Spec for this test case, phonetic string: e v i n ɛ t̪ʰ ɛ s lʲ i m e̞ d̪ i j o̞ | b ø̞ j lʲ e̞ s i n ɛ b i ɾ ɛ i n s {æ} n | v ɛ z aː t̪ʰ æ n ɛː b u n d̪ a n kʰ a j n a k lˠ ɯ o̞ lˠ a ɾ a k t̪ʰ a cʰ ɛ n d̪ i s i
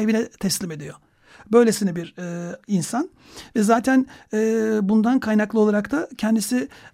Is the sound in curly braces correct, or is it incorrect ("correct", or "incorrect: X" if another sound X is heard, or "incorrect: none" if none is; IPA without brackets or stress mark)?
incorrect: a